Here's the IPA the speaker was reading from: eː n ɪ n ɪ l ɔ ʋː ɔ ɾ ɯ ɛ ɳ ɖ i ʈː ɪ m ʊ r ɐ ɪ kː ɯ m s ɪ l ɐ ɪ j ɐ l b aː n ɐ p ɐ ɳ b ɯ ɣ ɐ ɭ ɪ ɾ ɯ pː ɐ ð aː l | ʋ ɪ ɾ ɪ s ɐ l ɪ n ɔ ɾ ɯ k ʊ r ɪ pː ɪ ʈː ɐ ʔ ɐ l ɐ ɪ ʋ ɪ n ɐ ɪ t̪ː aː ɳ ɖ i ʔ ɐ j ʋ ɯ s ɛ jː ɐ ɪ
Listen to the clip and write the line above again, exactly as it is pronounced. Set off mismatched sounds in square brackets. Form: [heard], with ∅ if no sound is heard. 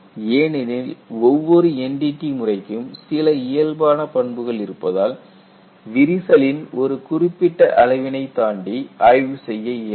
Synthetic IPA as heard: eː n ɪ n ɪ l ɔ ʋː ɔ ɾ ɯ ɛ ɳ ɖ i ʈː [i] m ʊ r ɐ ɪ kː ɯ m s ɪ l ɐ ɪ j ɐ l b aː n ɐ p ɐ ɳ b ɯ ɣ ɐ ɭ ɪ ɾ ɯ pː ɐ ð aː l | ʋ ɪ ɾ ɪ s ɐ l ɪ n ɔ ɾ ɯ k ʊ r ɪ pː ɪ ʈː ɐ ʔ ɐ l ɐ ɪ ʋ ɪ n ɐ ɪ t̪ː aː ɳ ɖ i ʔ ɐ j ʋ ɯ s ɛ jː ɐ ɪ